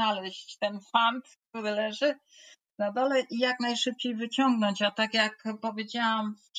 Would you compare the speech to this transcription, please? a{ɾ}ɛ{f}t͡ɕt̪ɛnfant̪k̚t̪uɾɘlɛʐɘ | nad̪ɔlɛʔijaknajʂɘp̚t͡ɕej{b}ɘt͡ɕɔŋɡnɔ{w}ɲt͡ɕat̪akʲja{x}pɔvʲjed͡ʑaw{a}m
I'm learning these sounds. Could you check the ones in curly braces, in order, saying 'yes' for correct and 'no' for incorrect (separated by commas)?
no, no, no, no, no, yes